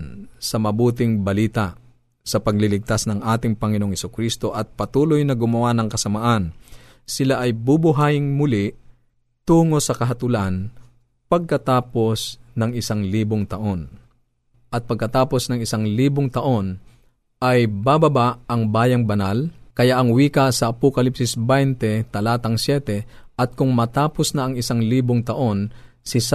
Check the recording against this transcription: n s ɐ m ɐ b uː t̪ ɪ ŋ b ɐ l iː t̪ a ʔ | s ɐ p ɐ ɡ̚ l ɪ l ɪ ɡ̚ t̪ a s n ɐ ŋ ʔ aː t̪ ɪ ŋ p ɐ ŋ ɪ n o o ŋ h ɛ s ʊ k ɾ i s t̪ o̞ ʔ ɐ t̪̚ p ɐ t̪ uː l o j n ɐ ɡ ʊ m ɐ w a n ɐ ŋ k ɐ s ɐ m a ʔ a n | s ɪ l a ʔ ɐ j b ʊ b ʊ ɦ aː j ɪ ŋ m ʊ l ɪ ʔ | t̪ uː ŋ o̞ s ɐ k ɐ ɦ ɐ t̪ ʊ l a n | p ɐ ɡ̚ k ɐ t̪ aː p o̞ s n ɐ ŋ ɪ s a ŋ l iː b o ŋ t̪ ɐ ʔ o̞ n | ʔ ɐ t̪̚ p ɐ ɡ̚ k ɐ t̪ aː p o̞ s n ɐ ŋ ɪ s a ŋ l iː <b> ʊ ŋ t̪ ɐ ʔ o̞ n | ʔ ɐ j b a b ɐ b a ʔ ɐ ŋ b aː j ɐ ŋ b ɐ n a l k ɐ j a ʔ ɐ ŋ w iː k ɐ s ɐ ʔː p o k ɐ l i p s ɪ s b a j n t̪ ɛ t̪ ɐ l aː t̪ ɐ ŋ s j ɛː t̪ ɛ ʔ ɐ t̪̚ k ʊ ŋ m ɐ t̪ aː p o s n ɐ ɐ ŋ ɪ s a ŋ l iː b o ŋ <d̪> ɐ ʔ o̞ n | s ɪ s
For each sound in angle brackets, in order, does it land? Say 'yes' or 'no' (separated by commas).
yes, no